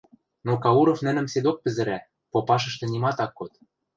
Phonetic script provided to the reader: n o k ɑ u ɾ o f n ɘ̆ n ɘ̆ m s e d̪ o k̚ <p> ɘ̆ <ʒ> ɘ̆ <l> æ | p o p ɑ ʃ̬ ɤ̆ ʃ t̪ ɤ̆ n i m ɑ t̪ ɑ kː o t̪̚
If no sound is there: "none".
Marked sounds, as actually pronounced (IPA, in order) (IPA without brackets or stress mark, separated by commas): p, z, ɾ